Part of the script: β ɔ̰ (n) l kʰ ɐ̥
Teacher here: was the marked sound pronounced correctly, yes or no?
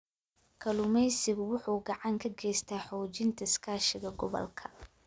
no